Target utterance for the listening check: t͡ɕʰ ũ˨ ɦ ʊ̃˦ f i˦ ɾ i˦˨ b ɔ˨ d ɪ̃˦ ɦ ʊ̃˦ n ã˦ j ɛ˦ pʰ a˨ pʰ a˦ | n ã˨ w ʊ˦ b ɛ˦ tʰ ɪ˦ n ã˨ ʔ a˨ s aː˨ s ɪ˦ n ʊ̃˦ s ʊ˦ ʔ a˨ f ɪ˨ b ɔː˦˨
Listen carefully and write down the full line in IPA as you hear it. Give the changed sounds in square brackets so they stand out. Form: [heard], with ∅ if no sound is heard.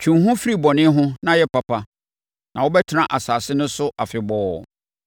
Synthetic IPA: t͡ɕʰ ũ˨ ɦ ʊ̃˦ f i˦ ɾ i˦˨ b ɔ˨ [n] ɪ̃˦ ɦ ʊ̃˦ n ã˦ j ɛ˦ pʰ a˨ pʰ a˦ | n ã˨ w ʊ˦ b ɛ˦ tʰ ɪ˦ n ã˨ ʔ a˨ s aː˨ s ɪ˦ n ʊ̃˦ s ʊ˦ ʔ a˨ f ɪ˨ b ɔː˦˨